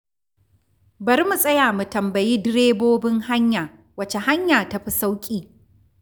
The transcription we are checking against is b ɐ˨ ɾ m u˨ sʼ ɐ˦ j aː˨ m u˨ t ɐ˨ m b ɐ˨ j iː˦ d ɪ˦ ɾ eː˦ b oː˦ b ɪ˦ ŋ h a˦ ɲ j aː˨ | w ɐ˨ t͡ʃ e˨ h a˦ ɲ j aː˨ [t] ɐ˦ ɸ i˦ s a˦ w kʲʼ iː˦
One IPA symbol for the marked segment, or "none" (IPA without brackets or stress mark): t